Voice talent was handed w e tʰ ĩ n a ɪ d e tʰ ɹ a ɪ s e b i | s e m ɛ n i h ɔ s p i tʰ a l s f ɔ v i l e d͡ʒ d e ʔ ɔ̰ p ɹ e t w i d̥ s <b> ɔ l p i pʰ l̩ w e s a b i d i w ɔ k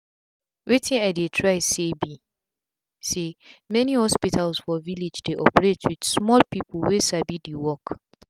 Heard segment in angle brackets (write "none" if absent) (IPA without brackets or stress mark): m